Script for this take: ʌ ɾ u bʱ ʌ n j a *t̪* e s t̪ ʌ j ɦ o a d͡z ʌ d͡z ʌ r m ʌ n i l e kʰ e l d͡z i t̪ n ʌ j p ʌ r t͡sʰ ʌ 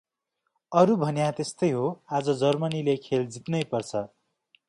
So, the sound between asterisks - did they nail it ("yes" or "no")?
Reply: yes